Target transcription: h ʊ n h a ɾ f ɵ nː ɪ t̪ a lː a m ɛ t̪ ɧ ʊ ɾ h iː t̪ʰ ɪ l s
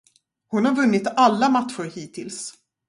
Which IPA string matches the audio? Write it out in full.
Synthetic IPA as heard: h ʊ n h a ɾ v ɵ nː ɪ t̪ a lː a m a t̪ ɧ ʊ ɾ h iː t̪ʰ ɪ l s